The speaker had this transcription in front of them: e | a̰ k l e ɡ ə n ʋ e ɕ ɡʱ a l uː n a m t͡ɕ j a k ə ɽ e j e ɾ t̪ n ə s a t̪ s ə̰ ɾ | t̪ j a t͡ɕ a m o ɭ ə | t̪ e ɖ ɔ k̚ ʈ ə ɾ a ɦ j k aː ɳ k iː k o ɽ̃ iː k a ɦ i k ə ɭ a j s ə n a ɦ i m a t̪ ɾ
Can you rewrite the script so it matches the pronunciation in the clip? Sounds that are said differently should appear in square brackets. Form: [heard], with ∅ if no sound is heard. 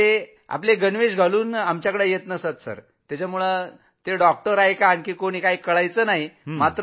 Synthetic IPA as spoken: e | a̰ [p] l e ɡ ə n ʋ e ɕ ɡʱ a l uː n a m t͡ɕ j a k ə ɽ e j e [∅] t̪ n ə s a t̪ s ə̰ ɾ | t̪ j a t͡ɕ a m [u] ɭ ə | t̪ e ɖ ɔ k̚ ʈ ə ɾ a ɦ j k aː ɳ k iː k o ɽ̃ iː k a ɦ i k ə ɭ a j [t͡s] ə n a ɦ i m a t̪ ɾ